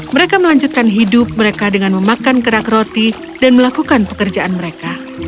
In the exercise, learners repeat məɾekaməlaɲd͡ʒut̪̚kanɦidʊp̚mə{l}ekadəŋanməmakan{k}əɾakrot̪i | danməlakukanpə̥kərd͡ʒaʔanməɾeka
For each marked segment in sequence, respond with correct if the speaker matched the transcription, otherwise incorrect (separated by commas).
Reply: incorrect, correct